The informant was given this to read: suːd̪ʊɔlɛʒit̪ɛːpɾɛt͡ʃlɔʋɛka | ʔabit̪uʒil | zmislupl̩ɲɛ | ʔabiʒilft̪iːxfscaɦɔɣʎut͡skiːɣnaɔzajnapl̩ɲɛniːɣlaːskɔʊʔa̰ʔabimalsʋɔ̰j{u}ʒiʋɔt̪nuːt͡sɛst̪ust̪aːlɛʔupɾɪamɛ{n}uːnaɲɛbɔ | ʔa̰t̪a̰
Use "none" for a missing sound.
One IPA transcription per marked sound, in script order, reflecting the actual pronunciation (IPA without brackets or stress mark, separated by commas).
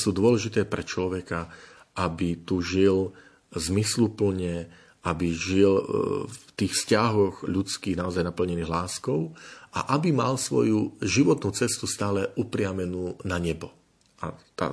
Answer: u, n